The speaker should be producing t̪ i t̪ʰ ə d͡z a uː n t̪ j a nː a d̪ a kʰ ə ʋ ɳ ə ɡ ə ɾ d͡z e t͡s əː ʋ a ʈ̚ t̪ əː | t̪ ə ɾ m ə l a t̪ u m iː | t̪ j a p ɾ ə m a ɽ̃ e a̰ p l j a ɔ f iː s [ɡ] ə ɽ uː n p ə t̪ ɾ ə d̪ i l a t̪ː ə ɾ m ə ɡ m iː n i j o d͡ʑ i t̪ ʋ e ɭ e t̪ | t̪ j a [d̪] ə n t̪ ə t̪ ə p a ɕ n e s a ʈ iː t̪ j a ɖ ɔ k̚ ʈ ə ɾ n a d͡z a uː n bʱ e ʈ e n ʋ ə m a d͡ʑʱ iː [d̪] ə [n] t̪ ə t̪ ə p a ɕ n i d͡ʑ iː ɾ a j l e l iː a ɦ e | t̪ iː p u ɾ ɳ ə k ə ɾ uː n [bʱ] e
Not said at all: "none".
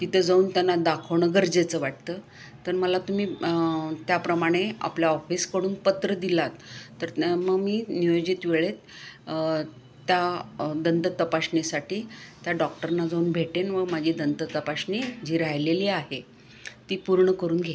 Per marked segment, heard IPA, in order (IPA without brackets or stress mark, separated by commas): k, d̪, d̪, n, ɡʱ